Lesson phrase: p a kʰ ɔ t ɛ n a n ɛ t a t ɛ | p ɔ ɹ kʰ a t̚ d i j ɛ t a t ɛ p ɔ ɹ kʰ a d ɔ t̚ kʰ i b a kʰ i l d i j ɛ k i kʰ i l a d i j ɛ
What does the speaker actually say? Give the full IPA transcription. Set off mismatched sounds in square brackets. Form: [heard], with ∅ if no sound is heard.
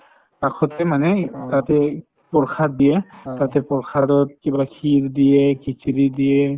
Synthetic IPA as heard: p a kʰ ɔ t ɛ [m] a n ɛ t a t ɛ | p ɔ ɹ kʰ a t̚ d i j ɛ t a t ɛ p ɔ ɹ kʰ a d ɔ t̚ [k] i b a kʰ i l d i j ɛ k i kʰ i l [i] d i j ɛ